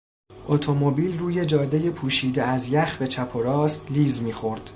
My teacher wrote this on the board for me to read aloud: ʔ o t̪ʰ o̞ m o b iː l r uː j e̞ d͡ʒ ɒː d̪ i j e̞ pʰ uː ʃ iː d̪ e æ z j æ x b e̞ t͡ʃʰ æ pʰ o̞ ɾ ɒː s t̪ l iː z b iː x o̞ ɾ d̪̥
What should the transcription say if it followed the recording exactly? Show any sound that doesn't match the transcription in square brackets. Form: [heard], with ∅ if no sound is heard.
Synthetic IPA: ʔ o t̪ʰ o̞ m o b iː l r uː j e̞ d͡ʒ ɒː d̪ [e] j e̞ pʰ uː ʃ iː d̪ e æ z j æ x b e̞ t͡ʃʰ æ pʰ o̞ ɾ ɒː s t̪ l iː z [m] iː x o̞ ɾ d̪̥